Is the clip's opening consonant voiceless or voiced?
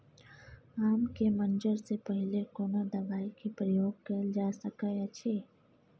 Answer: voiced